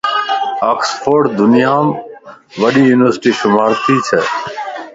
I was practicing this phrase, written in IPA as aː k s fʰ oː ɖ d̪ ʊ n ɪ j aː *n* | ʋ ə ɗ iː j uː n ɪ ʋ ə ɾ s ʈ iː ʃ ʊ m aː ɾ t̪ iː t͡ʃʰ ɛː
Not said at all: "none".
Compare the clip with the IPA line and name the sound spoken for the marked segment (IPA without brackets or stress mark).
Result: m